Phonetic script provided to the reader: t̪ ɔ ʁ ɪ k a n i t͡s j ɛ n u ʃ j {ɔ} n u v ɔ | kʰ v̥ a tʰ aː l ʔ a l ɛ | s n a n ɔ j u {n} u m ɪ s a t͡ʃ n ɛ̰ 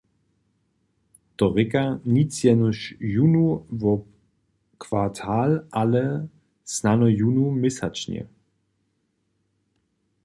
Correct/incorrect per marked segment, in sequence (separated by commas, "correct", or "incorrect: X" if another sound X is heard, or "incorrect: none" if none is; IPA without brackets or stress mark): incorrect: u, correct